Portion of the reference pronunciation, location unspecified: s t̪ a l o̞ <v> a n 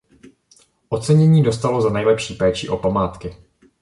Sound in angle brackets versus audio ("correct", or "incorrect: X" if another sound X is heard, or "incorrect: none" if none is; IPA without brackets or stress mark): incorrect: z